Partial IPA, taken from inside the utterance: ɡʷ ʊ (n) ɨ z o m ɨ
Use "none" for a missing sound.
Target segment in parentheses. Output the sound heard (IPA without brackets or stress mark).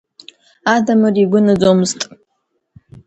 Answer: n